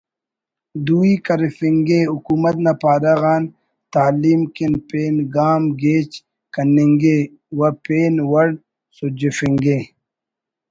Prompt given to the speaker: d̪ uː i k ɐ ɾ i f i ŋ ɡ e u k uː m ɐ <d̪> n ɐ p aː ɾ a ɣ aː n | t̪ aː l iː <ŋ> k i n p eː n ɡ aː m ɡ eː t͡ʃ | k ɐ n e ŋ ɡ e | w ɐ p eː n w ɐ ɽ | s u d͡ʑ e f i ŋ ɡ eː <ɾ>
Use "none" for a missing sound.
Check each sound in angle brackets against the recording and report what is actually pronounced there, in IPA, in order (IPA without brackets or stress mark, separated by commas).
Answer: t̪, m, none